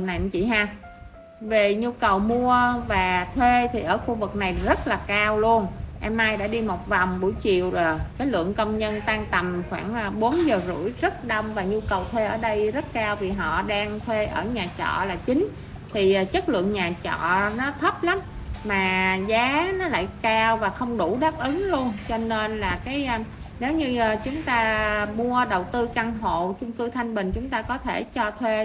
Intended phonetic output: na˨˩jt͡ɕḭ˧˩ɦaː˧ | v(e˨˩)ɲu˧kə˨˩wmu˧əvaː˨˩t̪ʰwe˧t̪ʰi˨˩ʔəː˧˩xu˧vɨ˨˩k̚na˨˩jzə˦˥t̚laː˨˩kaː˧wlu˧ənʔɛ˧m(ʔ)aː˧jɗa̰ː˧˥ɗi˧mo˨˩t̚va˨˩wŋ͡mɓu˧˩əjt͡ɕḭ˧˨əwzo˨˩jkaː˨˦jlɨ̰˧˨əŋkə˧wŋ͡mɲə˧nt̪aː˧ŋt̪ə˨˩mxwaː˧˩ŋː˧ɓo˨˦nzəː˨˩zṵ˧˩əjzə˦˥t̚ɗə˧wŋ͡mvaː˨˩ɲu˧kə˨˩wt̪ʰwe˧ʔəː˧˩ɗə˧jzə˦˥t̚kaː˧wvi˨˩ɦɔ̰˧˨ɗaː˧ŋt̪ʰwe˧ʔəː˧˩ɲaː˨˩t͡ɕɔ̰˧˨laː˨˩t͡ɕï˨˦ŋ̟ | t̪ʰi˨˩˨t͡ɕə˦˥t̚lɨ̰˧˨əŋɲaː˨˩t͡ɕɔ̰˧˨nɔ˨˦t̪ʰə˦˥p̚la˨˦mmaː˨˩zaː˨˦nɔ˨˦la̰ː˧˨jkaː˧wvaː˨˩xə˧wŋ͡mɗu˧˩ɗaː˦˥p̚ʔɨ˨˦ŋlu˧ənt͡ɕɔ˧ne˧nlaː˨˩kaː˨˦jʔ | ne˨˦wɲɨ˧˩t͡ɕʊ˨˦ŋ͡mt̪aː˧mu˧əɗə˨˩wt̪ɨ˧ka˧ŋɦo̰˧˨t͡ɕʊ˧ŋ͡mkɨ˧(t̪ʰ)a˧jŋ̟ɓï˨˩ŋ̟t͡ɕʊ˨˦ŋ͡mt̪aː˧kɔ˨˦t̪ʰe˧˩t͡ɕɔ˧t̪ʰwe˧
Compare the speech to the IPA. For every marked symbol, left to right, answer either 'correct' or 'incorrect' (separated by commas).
correct, correct, correct